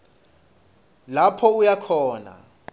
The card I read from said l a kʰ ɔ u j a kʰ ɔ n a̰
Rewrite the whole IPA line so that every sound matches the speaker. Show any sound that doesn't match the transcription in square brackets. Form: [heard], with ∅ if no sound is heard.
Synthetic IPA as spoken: l a [pʰ] ɔ u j a kʰ [ɔː] n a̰